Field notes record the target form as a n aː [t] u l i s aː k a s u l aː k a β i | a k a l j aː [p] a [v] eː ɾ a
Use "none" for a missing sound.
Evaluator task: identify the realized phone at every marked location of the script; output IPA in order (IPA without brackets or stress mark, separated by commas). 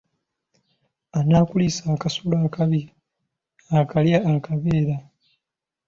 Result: k, k, β